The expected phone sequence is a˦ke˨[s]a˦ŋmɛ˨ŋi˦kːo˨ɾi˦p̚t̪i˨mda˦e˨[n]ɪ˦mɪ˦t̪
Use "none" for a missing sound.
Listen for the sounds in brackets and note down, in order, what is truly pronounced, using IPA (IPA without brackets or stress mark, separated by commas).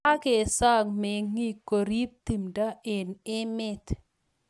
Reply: s, n